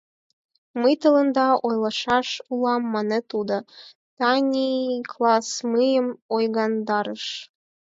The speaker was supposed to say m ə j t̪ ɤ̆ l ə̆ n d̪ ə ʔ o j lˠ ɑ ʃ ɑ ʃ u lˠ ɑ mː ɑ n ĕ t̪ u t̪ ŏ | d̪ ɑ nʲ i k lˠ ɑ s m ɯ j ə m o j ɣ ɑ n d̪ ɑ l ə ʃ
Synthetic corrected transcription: m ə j t̪ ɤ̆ l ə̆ n d̪ ɑ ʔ o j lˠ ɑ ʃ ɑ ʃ u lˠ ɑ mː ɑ n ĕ t̪ u d̪ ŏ | t̪ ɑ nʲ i k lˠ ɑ s m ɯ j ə m o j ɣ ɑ n d̪ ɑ ɾ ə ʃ